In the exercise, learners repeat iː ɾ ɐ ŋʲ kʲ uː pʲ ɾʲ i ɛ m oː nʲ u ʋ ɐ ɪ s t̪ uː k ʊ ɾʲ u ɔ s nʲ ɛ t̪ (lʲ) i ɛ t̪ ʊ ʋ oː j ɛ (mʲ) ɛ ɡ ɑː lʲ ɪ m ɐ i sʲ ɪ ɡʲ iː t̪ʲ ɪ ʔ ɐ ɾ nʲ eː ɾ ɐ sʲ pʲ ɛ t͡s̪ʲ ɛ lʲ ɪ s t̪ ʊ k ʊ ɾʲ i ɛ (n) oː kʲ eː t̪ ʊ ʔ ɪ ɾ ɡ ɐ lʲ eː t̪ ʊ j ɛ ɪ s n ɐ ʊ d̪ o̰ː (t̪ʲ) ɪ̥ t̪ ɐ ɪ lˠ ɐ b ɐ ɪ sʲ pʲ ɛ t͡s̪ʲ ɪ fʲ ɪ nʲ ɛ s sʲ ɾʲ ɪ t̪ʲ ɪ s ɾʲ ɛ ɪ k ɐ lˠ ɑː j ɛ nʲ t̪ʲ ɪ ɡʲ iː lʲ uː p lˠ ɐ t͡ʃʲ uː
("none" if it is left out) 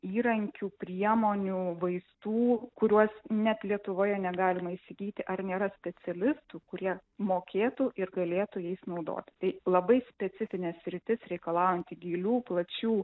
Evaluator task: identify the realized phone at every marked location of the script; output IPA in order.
lʲ, nʲ, m, t̪ʲ

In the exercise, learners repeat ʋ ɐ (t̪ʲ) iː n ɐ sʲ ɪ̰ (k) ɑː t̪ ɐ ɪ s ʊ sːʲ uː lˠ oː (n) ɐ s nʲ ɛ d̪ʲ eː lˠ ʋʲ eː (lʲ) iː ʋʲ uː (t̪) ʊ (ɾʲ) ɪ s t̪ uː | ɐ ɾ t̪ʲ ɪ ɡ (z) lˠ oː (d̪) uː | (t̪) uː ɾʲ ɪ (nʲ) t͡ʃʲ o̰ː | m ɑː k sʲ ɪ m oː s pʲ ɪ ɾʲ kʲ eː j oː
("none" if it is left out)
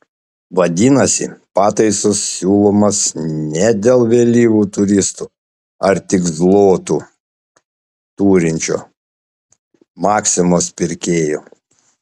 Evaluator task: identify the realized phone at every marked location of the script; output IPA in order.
d̪ʲ, p, m, lʲ, t̪, ɾʲ, z, t̪, t̪, nʲ

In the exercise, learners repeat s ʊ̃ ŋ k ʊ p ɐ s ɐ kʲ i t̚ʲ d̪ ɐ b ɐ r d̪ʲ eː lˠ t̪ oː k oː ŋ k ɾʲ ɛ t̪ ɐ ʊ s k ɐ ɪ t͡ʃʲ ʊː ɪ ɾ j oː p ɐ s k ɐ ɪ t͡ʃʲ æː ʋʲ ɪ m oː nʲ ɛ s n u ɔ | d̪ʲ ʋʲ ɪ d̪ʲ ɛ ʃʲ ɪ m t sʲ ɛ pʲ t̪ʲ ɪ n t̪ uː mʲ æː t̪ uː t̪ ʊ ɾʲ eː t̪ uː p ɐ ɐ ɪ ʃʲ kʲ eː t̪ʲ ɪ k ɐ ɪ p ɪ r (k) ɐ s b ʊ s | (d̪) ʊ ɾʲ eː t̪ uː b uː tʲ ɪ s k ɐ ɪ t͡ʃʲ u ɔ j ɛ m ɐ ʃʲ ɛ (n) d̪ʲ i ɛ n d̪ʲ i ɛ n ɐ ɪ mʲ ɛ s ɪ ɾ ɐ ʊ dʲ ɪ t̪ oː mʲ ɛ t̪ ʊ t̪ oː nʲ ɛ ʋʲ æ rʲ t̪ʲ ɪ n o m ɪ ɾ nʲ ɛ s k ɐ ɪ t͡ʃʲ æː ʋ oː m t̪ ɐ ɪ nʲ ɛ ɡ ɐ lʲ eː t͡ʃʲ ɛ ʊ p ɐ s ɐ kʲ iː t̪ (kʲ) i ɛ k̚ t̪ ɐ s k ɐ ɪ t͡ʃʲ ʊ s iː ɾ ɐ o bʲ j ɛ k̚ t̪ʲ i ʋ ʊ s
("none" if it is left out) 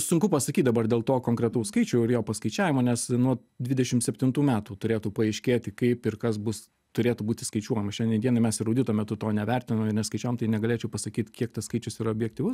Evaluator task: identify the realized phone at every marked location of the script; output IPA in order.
k, t̪, n, kʲ

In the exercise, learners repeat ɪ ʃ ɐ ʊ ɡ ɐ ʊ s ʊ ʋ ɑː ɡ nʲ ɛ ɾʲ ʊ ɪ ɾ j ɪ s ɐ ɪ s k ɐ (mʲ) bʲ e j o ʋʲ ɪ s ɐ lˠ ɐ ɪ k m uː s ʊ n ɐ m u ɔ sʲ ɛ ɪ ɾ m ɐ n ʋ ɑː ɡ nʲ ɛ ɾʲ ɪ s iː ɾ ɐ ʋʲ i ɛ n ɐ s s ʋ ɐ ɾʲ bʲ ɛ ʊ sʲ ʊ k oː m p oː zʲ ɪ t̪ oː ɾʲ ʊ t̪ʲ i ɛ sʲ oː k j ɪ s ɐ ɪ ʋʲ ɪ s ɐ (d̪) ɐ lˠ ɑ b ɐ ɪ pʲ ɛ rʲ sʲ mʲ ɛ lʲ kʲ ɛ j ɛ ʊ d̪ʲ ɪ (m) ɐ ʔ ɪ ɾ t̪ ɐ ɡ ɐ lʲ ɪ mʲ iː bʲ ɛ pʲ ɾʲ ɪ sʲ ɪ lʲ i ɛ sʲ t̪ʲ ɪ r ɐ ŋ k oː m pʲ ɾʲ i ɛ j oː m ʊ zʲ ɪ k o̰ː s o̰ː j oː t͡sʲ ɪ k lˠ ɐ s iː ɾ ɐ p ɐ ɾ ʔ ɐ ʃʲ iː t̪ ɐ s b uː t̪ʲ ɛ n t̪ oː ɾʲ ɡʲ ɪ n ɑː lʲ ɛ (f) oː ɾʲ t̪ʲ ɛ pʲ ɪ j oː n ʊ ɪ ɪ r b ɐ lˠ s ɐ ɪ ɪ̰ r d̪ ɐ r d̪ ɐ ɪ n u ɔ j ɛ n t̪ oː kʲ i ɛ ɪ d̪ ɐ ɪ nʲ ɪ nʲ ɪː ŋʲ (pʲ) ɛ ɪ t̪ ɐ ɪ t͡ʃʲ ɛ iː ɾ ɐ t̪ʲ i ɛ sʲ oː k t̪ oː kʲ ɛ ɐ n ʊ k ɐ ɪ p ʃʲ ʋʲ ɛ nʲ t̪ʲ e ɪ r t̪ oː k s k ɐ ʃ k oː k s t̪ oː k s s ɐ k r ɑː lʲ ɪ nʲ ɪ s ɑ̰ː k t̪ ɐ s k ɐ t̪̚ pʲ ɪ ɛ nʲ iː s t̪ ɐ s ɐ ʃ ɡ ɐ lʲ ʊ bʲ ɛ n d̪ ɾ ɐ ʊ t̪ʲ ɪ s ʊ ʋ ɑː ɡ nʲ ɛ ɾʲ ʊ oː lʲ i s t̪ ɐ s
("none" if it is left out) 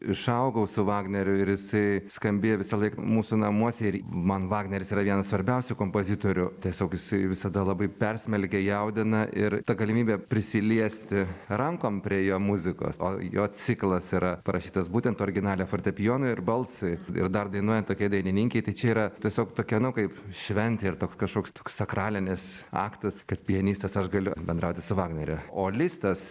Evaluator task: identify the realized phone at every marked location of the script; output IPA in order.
mʲ, d̪, n, f, kʲ

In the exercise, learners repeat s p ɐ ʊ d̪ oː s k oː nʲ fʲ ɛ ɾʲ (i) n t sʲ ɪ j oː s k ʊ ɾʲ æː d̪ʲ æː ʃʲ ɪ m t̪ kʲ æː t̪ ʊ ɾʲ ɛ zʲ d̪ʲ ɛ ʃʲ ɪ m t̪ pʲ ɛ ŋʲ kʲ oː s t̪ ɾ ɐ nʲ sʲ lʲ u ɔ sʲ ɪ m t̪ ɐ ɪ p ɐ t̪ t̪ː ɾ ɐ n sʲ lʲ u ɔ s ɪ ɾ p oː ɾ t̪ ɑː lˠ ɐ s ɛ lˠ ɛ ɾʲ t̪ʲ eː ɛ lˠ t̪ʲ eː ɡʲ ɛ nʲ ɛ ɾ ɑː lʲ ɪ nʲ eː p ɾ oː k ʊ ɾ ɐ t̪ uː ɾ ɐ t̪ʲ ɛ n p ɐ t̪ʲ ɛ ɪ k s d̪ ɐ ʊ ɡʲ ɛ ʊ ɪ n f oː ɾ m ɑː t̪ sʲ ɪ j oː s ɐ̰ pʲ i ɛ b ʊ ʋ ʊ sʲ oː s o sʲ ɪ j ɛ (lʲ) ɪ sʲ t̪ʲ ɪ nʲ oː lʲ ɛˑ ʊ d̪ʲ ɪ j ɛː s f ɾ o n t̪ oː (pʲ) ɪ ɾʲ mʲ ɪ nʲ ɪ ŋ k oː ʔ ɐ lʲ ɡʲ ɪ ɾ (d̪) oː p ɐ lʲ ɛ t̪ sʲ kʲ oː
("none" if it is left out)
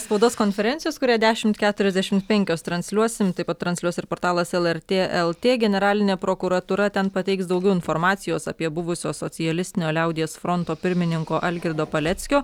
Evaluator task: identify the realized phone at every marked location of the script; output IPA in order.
ɛ, lʲ, pʲ, d̪

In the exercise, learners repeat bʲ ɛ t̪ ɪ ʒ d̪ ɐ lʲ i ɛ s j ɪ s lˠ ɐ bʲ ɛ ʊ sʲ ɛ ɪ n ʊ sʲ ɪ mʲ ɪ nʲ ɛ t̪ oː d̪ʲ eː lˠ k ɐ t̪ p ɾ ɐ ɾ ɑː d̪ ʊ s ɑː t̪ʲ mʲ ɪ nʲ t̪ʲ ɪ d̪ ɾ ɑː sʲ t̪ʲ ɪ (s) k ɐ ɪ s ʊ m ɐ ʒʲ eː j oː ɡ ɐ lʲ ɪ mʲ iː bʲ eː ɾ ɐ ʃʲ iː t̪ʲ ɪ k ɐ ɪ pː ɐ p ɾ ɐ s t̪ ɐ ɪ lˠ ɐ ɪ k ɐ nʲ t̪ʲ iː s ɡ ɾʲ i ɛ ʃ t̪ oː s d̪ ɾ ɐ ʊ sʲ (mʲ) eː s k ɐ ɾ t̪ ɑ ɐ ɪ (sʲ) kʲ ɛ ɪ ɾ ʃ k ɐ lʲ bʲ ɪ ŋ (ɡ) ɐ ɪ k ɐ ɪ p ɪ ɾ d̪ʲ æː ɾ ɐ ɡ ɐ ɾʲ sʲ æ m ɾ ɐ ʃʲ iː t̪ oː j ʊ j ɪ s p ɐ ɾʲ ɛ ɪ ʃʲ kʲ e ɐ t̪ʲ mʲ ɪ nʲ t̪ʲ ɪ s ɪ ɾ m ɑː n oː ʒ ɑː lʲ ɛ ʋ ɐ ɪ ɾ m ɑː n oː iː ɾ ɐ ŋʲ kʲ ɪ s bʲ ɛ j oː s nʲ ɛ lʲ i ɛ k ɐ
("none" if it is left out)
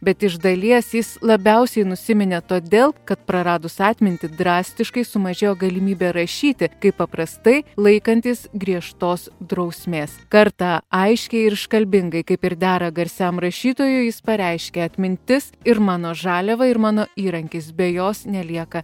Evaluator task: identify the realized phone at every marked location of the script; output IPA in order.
ʃ, mʲ, ʃʲ, ɡ

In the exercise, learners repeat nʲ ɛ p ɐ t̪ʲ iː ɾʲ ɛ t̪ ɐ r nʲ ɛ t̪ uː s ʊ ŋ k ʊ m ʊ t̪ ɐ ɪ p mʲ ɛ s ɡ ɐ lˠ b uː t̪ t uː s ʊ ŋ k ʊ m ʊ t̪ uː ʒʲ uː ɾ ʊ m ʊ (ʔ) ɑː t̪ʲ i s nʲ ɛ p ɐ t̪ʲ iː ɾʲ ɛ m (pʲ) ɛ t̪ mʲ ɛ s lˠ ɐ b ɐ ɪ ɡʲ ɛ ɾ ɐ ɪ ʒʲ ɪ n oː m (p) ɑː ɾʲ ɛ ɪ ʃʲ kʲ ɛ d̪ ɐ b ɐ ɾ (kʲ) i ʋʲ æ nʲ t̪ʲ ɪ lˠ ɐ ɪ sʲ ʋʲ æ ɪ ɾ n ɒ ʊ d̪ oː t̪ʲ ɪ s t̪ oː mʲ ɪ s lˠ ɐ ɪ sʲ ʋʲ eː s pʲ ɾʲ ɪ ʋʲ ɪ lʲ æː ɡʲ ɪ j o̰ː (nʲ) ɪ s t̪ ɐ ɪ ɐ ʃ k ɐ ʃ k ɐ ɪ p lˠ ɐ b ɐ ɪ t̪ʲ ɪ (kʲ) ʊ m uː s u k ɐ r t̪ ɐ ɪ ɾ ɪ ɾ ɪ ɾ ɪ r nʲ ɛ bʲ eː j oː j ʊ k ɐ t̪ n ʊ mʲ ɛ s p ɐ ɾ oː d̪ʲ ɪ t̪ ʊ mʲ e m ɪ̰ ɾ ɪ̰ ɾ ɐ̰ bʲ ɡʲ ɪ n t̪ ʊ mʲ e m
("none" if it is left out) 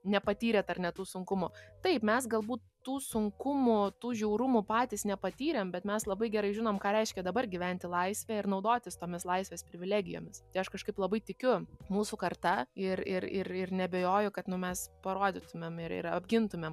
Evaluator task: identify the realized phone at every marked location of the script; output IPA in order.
p, bʲ, k, ɡʲ, mʲ, kʲ

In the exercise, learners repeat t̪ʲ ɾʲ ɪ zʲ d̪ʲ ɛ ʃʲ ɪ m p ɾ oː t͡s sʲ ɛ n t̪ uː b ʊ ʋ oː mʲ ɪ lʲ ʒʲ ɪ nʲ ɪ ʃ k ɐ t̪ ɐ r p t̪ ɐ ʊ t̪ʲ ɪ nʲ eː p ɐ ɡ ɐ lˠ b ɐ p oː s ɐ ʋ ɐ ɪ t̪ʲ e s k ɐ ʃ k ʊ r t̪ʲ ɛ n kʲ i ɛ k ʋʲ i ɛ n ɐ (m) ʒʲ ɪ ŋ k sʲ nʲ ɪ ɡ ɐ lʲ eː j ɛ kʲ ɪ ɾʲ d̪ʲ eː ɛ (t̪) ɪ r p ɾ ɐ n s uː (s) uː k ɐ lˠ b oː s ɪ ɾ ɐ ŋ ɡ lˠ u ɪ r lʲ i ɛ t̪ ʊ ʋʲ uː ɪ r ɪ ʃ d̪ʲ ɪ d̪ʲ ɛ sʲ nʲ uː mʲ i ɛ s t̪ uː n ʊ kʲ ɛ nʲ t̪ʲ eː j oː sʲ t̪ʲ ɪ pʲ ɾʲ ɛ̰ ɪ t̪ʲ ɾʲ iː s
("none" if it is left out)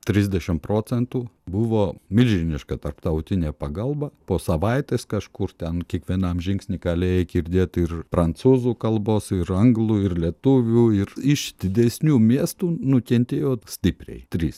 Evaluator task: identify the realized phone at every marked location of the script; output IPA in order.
m, t̪, z

